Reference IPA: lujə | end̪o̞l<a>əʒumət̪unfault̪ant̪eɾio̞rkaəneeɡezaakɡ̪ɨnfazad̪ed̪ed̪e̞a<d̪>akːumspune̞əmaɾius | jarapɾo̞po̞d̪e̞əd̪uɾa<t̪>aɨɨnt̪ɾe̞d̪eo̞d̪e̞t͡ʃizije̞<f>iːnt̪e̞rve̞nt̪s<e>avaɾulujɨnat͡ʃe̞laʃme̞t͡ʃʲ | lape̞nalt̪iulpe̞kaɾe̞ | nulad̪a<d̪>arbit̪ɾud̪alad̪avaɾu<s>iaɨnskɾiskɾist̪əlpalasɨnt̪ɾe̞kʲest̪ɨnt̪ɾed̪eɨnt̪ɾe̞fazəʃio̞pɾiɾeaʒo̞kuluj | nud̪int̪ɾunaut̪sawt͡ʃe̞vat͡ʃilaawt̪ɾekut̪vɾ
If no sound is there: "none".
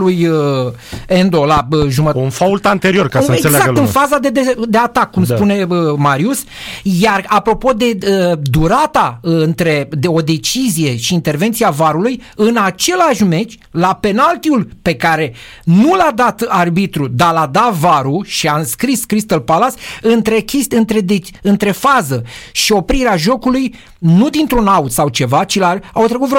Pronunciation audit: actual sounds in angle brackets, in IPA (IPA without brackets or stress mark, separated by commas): a, t̪, t̪, ʃ, i, t̪, ʃ